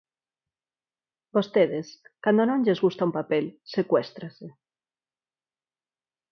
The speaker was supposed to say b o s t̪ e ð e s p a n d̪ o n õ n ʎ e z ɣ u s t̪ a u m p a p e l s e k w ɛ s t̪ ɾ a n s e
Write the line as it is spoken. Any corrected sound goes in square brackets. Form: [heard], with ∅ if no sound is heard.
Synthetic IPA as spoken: b o s t̪ e ð e s [k] a n d̪ o n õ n ʎ e z ɣ u s t̪ a u m p a p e l s e k w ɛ s t̪ ɾ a [∅] s e